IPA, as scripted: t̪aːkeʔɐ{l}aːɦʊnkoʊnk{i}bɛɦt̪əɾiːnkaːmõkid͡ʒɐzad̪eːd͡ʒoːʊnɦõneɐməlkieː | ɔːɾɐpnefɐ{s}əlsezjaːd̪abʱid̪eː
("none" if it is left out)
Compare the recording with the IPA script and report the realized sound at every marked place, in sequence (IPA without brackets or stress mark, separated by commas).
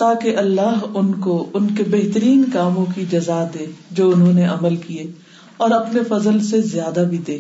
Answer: lː, e, z